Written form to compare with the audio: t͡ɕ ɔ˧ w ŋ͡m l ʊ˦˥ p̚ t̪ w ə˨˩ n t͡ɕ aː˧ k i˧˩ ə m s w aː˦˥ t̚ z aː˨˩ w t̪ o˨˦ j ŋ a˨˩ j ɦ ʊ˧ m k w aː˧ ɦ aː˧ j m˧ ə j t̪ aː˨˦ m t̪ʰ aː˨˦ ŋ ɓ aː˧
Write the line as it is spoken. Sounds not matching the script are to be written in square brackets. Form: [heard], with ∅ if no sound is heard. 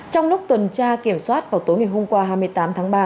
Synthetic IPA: t͡ɕ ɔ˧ w ŋ͡m l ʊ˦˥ [k͡p̚] t̪ w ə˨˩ n t͡ɕ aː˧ k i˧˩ ə m s w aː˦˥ t̚ [v] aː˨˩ w t̪ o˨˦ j ŋ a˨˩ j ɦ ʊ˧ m k w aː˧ ɦ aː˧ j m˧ ə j t̪ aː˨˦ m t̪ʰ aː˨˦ ŋ ɓ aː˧